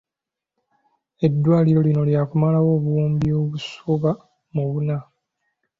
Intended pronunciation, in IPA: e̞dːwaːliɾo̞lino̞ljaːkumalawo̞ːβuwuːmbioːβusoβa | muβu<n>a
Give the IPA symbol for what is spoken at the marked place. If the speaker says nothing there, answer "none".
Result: n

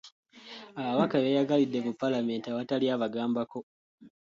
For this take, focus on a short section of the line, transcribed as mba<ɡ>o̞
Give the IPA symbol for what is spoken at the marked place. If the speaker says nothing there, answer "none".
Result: k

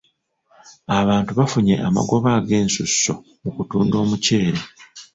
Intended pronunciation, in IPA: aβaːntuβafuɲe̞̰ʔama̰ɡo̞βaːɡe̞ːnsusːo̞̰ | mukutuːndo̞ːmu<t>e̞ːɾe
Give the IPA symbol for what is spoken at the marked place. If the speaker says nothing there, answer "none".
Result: c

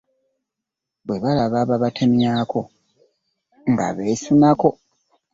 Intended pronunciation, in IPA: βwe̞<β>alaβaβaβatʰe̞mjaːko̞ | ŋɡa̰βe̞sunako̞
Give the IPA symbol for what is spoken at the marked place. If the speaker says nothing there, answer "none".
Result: β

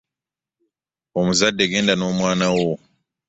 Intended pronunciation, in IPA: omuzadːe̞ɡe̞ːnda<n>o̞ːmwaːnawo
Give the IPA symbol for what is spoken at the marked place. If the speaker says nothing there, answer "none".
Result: n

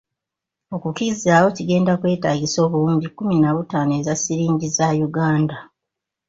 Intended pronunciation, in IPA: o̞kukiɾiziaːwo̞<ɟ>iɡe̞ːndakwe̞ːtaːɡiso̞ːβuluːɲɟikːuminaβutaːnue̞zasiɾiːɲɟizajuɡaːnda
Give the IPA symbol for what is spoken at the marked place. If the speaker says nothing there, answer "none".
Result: c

